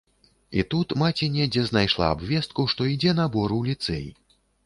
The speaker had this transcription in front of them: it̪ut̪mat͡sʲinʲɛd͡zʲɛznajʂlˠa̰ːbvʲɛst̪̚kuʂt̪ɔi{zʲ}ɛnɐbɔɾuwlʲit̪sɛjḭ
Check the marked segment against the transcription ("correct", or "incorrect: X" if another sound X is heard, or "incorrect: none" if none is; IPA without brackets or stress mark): incorrect: d͡zʲ